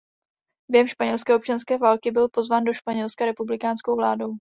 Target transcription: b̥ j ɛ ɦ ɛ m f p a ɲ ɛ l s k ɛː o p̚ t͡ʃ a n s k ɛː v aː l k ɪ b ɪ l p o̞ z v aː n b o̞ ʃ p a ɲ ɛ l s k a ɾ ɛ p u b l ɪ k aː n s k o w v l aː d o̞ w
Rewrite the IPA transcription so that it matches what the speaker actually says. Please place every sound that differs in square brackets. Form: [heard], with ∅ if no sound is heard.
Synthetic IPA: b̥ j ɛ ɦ ɛ m [ʃ] p a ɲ ɛ l s k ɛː o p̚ t͡ʃ a n s k ɛː v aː l k ɪ b ɪ l p o̞ z v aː n [d] o̞ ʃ p a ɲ ɛ l s k a ɾ ɛ p u b l ɪ k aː n s k o w v l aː d o̞ w